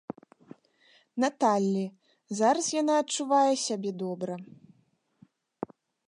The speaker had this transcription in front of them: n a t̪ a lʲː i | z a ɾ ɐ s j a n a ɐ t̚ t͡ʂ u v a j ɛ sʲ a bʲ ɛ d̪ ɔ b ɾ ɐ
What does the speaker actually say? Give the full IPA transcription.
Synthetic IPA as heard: n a t̪ a lʲː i | z a ɾ ɐ s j a n a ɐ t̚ t͡ʂ u v a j ɛ sʲ a bʲ ɛ d̪ ɔ b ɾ ɐ